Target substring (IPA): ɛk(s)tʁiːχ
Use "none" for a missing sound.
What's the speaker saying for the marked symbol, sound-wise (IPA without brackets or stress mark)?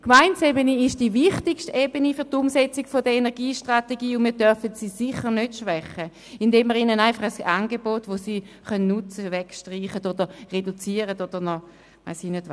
ʃ